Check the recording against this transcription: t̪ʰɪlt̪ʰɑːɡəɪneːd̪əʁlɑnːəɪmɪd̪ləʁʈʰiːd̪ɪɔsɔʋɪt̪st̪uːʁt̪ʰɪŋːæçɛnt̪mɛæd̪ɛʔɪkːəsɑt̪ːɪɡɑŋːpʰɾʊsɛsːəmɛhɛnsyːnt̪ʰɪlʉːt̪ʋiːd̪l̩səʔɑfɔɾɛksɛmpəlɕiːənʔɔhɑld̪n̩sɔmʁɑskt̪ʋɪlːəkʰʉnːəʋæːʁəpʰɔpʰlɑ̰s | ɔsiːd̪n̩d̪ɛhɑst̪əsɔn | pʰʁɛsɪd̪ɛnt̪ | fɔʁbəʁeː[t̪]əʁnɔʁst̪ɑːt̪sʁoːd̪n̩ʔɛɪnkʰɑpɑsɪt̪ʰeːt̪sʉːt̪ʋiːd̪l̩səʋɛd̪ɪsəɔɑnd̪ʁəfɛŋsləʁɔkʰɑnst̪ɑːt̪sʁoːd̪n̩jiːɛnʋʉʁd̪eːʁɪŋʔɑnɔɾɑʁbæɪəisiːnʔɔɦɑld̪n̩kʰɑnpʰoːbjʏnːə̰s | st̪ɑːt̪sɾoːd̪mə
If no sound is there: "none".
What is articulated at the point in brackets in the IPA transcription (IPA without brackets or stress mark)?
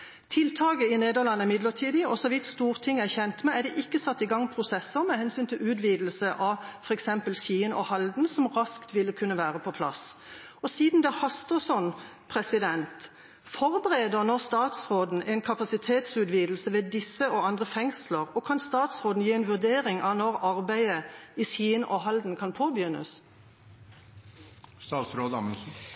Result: d̪